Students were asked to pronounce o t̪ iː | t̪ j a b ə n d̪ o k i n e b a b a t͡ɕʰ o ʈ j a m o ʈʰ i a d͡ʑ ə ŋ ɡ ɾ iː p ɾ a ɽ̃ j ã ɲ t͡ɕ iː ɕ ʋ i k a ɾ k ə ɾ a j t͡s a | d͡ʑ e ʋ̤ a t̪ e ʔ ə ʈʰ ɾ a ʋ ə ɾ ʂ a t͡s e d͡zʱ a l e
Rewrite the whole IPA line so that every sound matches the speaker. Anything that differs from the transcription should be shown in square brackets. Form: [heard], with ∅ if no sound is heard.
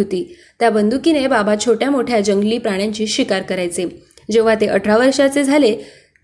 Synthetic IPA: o t̪ iː | t̪ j a b ə n d̪ [u] k i n e b a b a t͡ɕʰ o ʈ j a m o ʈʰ [j] a d͡ʑ ə ŋ ɡ [l] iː p ɾ a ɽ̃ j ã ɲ t͡ɕ iː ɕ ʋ i k a ɾ k ə ɾ a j t͡s [e] | d͡ʑ e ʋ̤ a t̪ e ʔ ə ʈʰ ɾ a ʋ ə ɾ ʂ a t͡s e d͡zʱ a l e